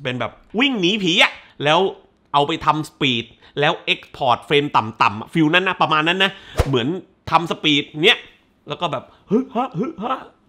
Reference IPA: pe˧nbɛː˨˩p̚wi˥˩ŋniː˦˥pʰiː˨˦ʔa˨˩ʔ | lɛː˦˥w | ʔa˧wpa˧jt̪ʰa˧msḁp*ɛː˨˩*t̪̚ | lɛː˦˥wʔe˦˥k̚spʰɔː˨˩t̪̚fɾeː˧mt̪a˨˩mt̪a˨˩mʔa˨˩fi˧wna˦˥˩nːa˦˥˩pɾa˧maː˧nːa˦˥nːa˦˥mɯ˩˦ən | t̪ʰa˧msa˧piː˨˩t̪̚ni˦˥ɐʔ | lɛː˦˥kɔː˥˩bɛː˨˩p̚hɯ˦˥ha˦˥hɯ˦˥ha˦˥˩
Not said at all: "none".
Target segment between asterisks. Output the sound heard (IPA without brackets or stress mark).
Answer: iː˨˩